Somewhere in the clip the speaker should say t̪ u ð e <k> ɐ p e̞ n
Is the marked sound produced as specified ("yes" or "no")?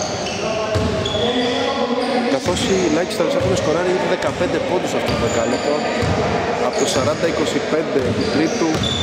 yes